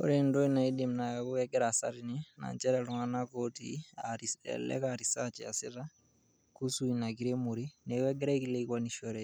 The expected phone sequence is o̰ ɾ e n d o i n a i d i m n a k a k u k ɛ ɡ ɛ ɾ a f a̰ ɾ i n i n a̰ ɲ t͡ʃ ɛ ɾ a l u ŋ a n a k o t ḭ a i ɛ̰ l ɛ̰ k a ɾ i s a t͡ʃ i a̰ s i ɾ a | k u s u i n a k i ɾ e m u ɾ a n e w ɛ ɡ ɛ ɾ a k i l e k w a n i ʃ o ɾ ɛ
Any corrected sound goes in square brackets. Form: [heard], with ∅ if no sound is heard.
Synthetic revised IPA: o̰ ɾ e n d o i n a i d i m n a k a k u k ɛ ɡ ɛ ɾ a [s] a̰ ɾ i n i n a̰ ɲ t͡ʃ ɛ ɾ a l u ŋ a n a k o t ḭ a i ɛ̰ l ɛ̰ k a ɾ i s a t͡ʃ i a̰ s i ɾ a | k u s u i n a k i ɾ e m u ɾ [i] n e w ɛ ɡ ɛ ɾ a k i l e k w a n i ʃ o ɾ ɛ